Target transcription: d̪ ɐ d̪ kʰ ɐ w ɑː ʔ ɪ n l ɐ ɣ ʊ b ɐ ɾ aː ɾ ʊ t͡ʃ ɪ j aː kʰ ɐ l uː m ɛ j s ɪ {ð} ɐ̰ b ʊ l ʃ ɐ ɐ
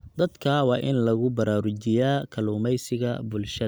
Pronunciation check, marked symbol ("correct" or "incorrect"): incorrect